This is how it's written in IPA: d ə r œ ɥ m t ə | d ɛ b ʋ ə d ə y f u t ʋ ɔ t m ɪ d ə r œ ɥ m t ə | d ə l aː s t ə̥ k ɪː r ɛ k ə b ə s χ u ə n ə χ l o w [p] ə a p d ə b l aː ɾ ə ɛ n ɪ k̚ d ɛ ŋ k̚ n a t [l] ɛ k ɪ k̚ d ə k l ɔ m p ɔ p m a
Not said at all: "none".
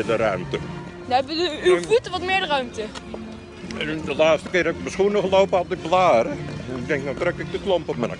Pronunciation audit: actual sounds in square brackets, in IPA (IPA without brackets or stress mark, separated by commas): p, r